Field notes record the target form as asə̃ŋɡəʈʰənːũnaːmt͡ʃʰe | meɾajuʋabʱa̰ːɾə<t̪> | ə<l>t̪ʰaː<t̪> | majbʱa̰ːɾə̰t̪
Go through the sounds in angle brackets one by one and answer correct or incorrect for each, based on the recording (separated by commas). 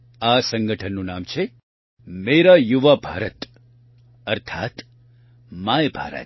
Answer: correct, incorrect, correct